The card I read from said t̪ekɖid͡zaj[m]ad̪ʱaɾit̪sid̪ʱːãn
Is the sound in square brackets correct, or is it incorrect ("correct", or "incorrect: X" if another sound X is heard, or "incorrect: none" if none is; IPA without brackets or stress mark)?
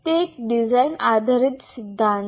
incorrect: n